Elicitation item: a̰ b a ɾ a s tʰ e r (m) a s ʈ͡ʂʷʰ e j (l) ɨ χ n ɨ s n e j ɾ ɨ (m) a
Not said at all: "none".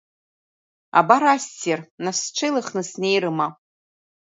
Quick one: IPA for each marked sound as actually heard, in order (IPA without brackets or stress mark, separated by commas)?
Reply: n, l, m